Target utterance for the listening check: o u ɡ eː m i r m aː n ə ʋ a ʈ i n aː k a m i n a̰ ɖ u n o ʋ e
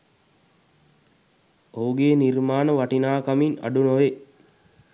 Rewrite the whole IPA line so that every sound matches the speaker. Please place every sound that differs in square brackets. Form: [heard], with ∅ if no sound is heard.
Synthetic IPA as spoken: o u ɡ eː [n] i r m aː n ə ʋ a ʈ i n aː k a m i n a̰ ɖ u n o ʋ e